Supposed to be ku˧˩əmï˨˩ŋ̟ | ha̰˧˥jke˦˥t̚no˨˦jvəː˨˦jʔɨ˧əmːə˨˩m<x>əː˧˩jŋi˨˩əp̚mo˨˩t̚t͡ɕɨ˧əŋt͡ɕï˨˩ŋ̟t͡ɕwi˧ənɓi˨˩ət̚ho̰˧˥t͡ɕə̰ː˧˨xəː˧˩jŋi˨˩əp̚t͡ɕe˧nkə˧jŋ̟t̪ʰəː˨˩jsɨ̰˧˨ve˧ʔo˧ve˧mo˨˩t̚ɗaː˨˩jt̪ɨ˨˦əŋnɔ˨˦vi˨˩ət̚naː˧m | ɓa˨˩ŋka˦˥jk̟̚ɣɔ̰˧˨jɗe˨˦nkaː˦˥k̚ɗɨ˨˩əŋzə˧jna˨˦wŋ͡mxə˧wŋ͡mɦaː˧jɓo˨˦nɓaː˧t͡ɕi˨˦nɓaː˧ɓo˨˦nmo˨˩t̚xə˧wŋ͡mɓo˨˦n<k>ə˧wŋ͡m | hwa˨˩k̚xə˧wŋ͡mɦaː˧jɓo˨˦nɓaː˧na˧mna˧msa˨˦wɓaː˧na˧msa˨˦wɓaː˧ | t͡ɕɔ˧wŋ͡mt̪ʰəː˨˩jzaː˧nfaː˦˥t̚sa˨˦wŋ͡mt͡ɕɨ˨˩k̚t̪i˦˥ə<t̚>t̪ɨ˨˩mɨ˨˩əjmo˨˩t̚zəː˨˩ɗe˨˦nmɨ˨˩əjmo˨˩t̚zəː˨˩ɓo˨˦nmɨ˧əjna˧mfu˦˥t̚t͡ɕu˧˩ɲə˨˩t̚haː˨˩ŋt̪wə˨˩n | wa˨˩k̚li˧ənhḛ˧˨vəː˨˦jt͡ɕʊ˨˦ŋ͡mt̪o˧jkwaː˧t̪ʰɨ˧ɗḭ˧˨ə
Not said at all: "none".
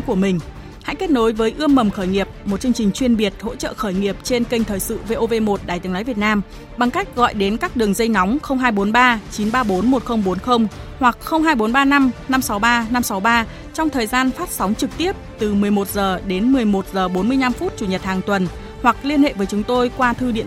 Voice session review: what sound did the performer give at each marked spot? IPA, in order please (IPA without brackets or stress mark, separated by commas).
x, x, p̚